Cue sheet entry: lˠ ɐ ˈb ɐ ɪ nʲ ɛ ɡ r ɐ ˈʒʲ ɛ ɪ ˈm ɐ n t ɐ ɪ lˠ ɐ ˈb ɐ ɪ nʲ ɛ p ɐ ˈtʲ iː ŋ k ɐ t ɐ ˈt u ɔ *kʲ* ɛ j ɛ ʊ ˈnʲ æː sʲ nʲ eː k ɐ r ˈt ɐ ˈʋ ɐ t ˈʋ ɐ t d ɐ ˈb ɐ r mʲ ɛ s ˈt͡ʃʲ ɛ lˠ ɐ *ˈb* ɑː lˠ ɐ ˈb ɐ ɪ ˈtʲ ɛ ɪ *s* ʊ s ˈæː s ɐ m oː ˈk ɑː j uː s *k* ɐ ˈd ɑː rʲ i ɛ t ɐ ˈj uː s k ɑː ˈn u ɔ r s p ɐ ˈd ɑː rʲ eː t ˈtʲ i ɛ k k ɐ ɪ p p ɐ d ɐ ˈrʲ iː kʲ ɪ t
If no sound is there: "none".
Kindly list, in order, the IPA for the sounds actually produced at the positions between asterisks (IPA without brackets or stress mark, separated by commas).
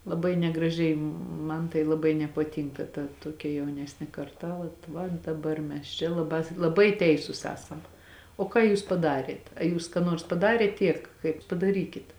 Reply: kʲ, b, s, p